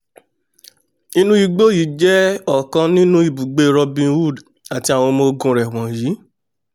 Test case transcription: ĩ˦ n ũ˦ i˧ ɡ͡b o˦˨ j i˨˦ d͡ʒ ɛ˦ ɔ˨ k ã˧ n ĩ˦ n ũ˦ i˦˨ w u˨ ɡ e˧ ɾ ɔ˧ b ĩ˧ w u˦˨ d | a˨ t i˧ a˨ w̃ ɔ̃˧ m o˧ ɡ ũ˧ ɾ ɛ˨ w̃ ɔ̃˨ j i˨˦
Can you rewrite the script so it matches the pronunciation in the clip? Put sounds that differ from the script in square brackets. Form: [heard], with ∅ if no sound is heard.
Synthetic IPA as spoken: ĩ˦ n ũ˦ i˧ ɡ͡b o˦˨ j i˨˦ d͡ʒ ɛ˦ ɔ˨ k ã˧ n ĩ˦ n ũ˦ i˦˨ [b] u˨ [ɡ͡b] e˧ ɾ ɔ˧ b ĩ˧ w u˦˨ d | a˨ t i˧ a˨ w̃ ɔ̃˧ m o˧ ɡ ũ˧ ɾ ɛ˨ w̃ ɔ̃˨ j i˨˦